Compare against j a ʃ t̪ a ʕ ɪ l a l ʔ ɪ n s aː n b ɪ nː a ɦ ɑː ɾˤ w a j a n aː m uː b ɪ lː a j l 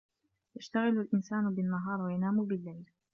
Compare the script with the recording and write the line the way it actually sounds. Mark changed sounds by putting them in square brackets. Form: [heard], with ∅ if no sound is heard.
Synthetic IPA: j a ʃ t̪ a [ɣ] ɪ l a l ʔ ɪ n s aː n b ɪ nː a ɦ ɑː ɾˤ w a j a n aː m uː b ɪ lː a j l

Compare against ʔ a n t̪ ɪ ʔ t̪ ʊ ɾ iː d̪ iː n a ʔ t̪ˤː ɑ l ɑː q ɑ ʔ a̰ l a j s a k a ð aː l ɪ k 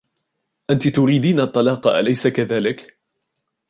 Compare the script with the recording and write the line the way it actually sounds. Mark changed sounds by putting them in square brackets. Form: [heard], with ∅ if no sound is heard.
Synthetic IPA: ʔ a n t̪ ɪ [∅] t̪ ʊ ɾ iː d̪ iː n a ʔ t̪ˤː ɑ l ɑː q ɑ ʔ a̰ l a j s a k a ð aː l ɪ k

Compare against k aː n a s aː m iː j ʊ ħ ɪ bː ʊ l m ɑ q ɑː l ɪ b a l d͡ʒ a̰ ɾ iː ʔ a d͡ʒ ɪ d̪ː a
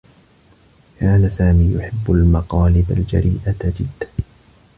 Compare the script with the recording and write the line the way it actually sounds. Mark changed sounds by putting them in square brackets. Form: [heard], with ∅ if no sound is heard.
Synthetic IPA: k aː n a s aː m iː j ʊ ħ ɪ bː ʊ l m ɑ q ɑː l ɪ b a l d͡ʒ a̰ ɾ iː ʔ a d͡ʒ ɪ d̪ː a

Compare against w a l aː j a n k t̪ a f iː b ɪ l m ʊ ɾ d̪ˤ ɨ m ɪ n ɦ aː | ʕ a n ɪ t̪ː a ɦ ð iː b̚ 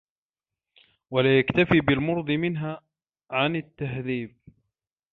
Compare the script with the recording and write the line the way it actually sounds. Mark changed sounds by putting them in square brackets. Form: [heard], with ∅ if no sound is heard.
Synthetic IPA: w a l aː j a [∅] k t̪ a f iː b ɪ l m ʊ ɾ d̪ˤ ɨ m ɪ n ɦ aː | ʕ a n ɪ t̪ː a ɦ ð iː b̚

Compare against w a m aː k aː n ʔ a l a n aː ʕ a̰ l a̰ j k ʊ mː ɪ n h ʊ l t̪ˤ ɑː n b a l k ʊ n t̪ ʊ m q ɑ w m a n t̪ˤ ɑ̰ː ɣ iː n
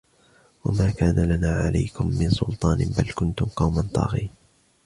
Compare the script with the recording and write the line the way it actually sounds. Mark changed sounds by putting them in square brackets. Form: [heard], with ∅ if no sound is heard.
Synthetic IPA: w a m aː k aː n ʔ a l a n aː ʕ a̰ l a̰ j k ʊ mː ɪ n [s] ʊ l t̪ˤ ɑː n b a l k ʊ n t̪ ʊ m q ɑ w m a n t̪ˤ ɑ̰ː ɣ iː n

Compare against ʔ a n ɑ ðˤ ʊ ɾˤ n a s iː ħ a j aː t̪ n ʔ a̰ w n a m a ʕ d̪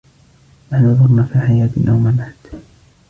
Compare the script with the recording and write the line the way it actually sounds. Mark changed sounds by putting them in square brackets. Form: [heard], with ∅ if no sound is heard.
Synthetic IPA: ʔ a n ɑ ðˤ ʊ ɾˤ n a [f] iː ħ a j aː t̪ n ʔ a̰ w [m] a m a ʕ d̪

